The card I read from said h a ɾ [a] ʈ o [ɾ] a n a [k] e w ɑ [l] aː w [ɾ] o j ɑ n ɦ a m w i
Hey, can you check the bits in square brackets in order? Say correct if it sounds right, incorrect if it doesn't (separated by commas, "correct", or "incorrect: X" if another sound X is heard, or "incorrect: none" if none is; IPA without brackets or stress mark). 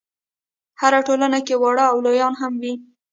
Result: correct, incorrect: l, correct, incorrect: ɽ, incorrect: l